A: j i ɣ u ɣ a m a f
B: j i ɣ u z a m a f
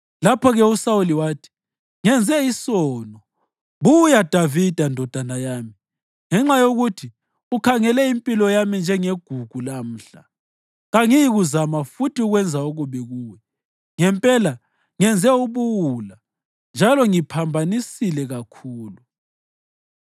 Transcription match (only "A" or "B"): B